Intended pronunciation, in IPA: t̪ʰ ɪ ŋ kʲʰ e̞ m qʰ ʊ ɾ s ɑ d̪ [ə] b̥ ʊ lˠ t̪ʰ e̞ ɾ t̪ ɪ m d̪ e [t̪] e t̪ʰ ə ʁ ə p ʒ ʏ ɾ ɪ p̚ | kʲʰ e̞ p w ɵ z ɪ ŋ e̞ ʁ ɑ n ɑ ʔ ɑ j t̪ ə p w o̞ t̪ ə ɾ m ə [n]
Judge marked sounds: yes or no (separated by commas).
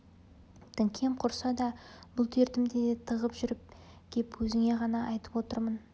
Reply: no, no, yes